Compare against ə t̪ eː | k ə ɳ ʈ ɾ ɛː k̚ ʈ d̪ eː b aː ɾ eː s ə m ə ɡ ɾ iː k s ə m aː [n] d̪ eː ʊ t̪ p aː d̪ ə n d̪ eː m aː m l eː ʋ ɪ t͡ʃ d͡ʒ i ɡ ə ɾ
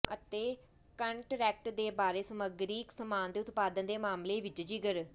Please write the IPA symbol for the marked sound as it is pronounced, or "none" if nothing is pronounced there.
n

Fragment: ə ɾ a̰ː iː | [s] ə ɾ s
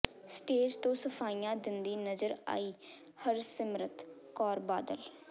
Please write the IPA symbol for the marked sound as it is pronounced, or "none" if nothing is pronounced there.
h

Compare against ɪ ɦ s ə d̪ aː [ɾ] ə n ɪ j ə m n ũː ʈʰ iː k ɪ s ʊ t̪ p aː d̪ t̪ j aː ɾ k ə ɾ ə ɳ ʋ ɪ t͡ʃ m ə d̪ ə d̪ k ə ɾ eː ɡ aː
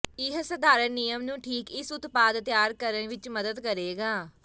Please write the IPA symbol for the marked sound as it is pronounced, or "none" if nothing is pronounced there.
ɾ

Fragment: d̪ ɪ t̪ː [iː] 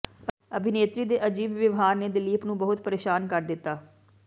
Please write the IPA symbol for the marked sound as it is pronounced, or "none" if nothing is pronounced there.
aː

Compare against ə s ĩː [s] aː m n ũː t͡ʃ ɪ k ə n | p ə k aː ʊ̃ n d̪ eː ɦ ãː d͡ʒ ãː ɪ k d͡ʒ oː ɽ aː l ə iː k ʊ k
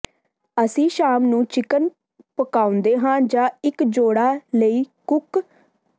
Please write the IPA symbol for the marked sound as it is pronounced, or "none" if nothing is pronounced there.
ʃ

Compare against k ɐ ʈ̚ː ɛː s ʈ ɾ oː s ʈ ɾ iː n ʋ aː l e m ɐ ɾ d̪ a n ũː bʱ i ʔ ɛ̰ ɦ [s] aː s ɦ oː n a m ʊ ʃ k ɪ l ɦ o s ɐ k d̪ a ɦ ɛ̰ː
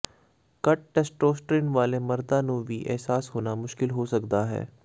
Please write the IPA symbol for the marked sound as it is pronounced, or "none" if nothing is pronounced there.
s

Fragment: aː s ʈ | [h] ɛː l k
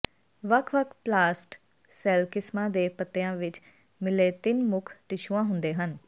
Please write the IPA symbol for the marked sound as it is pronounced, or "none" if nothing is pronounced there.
s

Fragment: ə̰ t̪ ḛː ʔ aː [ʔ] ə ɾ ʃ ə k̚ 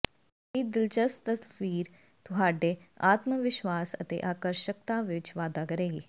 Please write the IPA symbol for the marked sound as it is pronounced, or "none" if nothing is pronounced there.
k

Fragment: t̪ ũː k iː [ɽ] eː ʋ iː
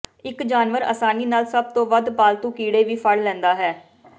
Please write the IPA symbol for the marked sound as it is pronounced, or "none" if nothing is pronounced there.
ɽ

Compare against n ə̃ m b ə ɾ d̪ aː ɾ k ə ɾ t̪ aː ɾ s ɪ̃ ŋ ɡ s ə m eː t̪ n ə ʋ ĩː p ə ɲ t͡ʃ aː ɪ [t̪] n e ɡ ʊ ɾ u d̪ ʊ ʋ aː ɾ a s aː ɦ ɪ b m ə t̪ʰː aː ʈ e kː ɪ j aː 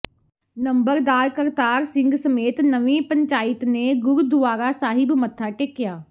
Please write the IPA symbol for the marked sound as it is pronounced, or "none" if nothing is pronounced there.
t̪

